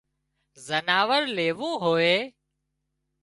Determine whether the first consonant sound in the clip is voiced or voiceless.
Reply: voiced